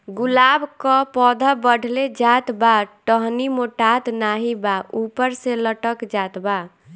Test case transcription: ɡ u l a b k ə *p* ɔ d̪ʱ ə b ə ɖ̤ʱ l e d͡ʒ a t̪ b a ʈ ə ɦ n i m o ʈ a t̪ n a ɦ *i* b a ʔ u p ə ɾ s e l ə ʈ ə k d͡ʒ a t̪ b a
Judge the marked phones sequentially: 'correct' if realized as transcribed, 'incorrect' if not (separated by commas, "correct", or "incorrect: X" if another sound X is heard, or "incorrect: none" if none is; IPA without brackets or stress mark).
correct, correct